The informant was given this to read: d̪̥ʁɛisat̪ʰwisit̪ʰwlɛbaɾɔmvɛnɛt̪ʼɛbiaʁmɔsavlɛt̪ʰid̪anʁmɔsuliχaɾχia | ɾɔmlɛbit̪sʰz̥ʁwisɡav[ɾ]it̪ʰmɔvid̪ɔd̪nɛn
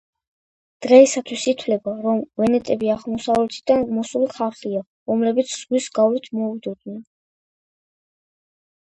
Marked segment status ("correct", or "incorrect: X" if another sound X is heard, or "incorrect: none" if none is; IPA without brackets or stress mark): incorrect: l